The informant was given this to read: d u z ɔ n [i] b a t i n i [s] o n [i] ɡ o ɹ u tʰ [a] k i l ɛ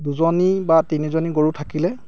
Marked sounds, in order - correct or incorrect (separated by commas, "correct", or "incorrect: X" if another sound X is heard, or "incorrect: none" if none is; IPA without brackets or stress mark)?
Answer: correct, incorrect: z, correct, correct